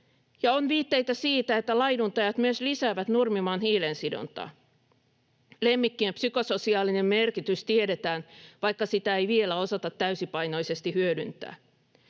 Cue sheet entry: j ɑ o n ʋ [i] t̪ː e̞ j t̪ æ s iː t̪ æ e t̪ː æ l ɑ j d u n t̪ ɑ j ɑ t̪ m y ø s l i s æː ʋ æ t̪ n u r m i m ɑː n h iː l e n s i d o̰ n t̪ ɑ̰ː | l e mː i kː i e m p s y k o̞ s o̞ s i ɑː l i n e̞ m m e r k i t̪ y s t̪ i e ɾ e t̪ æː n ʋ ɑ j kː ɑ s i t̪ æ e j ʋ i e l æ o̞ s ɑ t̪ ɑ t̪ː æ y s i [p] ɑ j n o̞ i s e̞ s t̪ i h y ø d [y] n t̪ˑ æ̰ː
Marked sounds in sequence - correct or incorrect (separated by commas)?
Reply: incorrect, correct, correct